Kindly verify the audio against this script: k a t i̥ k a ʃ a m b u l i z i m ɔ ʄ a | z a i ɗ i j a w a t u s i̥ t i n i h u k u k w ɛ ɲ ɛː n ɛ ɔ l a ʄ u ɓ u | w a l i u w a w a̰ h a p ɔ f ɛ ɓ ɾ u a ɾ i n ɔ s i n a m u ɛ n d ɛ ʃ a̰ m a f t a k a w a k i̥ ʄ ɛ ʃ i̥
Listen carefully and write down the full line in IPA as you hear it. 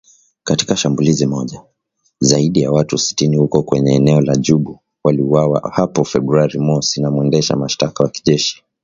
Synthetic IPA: k a t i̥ k a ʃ a m b u l i z i m ɔ ʄ a | z a i ɗ i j a w a t u s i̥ t i n i h u k ɔ k w ɛ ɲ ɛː n ɛ ɔ l a ʄ u ɓ u | w a l i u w a w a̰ h a p ɔ f ɛ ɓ ɾ u a ɾ i m ɔ s i n a m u ɛ n d ɛ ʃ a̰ m a ʃ t a k a w a k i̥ ʄ ɛ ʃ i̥